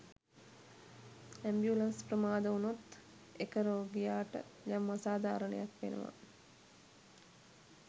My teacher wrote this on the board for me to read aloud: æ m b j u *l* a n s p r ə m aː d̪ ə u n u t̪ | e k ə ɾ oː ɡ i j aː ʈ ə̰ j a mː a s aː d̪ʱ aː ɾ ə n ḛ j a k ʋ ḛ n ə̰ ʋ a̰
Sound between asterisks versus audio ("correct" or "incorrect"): correct